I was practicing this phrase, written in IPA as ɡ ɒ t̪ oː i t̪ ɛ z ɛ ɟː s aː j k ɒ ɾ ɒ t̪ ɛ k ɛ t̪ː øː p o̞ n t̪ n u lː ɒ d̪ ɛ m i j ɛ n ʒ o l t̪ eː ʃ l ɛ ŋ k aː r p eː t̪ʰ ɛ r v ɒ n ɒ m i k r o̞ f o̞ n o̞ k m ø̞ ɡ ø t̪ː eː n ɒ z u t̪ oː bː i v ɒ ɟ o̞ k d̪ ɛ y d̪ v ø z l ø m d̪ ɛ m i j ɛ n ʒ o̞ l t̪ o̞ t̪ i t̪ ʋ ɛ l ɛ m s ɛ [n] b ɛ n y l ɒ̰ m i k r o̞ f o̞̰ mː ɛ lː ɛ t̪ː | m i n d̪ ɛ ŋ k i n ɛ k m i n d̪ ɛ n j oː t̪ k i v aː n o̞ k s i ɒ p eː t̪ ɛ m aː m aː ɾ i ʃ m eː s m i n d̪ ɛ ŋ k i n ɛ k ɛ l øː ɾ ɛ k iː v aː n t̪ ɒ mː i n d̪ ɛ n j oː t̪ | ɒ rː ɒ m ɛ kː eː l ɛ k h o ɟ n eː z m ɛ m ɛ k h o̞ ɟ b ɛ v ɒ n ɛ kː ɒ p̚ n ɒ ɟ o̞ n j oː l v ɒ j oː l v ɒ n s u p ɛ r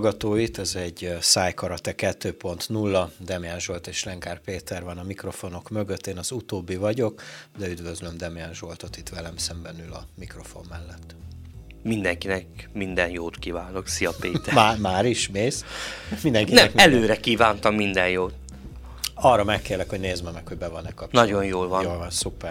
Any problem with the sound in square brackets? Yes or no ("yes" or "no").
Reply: yes